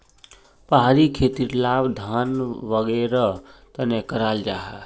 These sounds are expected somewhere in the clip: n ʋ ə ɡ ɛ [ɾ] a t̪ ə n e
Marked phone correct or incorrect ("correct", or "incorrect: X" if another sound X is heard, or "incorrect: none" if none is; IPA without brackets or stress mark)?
correct